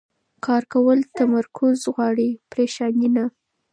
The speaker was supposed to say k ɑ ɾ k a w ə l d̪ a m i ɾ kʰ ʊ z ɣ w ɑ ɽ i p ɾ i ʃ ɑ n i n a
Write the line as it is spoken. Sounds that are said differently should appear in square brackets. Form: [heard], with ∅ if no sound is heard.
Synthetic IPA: k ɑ ɾ k a w ə l [t̪] a m [a] ɾ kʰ ʊ z ɣ w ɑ ɽ i p ɾ [e] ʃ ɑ n i n a